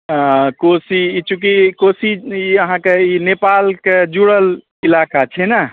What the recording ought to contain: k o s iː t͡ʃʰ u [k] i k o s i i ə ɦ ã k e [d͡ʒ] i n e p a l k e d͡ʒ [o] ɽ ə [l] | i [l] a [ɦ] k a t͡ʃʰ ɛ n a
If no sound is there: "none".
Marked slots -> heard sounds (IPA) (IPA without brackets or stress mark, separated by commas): k, none, u, l, l, none